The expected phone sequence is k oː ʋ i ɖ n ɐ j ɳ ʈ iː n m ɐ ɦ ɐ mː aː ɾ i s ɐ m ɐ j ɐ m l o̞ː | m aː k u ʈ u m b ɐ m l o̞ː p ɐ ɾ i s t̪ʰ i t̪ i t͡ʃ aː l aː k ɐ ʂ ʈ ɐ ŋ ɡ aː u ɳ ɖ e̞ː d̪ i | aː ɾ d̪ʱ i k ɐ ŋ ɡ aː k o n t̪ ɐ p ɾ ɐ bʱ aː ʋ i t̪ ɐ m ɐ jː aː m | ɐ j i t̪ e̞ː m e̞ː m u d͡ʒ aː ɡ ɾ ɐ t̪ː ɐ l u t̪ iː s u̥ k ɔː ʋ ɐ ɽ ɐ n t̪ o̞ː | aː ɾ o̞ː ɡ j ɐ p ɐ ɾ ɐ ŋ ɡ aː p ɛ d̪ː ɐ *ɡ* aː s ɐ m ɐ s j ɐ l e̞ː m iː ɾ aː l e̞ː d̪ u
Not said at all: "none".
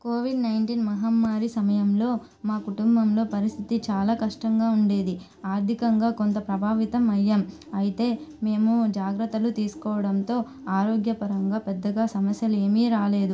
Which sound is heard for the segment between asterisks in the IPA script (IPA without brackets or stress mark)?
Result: ɡ